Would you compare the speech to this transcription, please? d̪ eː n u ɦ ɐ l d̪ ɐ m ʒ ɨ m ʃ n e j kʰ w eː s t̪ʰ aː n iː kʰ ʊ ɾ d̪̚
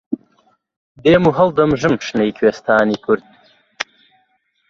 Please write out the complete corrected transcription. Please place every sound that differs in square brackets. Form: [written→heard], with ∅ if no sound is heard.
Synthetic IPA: d̪ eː [n→m] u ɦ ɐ l d̪ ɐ m ʒ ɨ m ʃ n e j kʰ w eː s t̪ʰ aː n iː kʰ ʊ ɾ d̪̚